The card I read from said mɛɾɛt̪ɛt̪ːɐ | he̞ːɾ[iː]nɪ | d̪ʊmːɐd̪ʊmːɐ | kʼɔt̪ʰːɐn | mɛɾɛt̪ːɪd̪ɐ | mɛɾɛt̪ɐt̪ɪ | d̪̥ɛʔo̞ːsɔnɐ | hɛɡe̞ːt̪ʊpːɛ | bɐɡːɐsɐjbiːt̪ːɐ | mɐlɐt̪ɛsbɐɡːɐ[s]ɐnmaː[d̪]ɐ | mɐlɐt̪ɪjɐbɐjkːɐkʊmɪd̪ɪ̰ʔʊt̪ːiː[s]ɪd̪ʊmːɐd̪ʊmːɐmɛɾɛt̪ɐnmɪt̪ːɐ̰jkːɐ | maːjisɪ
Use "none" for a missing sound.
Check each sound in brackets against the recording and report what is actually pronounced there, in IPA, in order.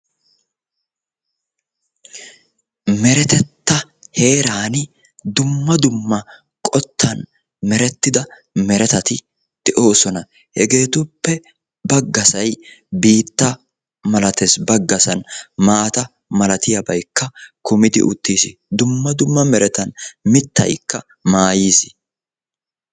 aː, s, t̪, s

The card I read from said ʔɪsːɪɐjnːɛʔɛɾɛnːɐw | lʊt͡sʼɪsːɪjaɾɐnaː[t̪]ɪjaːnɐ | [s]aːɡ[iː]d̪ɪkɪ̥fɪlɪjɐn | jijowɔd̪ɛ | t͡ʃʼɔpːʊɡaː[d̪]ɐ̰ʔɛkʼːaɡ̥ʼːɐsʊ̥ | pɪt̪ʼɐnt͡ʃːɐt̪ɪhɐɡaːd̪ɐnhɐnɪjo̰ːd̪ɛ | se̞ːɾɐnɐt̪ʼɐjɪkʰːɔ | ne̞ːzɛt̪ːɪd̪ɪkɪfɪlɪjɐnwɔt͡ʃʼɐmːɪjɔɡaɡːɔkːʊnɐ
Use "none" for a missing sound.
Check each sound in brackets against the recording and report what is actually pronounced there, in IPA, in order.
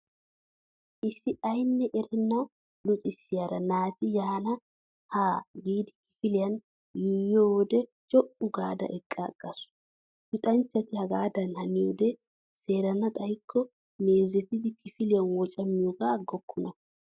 t̪, h, iː, d̪

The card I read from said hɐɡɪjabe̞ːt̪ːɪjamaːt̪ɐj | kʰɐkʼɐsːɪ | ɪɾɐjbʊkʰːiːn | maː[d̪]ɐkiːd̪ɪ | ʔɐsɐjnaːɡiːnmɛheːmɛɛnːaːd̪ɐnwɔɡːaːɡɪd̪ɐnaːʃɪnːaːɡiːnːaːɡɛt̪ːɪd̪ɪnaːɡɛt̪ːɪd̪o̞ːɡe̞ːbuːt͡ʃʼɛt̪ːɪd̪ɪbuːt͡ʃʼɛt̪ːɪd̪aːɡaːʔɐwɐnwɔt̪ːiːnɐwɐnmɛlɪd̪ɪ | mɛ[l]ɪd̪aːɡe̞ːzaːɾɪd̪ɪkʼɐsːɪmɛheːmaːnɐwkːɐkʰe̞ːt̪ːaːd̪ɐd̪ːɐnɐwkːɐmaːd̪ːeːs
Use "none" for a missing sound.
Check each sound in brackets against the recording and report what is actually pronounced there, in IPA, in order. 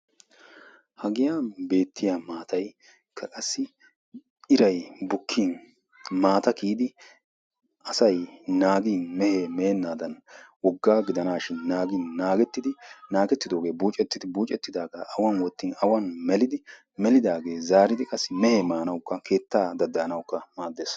t̪, l

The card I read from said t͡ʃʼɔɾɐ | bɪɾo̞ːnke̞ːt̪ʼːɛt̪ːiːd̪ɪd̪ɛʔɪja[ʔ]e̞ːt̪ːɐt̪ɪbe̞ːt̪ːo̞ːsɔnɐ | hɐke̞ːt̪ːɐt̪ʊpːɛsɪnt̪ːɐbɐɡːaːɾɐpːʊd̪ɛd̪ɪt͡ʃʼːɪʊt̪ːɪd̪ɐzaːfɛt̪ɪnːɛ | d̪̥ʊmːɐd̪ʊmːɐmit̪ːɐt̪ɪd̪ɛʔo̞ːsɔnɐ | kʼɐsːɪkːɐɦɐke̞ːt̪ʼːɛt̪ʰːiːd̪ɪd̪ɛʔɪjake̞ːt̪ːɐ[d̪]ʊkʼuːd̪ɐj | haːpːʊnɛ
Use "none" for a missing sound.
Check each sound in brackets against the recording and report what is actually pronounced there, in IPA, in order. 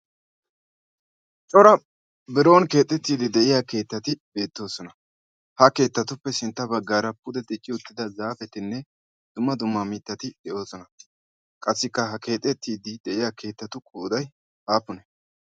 k, t̪

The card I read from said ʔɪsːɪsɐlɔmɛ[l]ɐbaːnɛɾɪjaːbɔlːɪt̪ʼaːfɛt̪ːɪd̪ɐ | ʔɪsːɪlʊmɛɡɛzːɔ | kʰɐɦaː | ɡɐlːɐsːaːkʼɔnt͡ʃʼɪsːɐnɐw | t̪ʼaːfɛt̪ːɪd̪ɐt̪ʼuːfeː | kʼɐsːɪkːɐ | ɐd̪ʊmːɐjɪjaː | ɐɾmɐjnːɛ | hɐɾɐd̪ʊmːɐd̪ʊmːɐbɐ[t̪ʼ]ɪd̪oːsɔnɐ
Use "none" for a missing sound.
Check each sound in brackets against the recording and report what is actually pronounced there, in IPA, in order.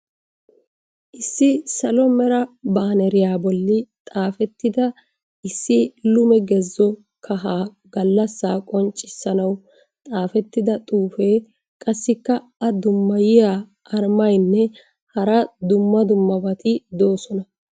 ɾ, t̪

